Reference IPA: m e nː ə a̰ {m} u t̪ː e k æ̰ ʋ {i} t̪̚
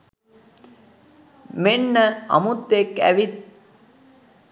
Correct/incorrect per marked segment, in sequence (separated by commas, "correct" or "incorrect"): correct, correct